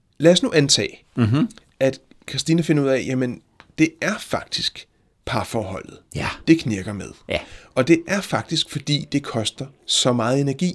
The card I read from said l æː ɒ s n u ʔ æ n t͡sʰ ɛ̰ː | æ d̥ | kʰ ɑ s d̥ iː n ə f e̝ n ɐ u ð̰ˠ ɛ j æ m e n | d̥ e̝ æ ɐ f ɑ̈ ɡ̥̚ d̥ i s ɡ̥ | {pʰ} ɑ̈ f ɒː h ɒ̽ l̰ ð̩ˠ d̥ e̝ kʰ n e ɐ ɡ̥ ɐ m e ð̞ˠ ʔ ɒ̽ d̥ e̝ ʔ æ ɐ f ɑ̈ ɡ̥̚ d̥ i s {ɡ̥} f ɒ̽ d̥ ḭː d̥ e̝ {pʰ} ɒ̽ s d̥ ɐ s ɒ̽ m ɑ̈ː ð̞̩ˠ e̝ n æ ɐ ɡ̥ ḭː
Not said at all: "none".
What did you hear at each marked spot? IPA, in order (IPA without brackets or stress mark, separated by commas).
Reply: pʰ, ɡ̥, kʰ